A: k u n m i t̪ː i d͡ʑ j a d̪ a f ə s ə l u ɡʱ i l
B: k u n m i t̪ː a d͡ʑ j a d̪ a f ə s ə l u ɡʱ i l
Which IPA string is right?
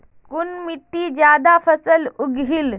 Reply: A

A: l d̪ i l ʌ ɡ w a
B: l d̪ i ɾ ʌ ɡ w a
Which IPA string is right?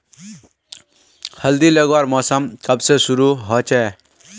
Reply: A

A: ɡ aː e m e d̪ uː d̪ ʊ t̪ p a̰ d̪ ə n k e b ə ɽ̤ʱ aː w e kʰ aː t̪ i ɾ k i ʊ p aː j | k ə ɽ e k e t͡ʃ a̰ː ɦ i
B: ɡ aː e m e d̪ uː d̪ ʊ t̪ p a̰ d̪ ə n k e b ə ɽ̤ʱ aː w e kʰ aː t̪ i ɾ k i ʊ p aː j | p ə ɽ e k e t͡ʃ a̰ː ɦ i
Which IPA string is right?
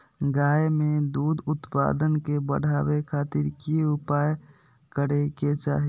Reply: A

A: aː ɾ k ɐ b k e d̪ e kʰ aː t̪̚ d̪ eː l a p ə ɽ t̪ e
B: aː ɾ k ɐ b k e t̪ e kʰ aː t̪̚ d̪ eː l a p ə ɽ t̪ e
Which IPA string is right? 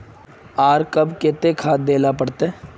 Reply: B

